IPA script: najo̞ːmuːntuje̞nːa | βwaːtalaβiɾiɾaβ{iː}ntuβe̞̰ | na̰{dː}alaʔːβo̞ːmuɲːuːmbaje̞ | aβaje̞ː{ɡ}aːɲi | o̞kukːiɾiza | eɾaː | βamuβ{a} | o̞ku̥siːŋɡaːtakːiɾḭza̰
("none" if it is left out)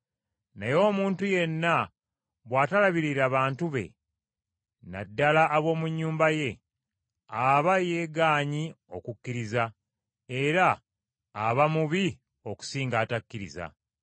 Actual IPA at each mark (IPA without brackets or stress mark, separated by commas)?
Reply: aː, dː, ɡ, i